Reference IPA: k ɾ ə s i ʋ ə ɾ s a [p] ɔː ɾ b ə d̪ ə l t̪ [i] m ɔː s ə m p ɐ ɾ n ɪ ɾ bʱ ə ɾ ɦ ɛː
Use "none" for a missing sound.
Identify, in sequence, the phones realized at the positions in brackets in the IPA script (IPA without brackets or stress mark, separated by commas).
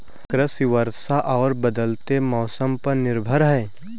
ʔ, e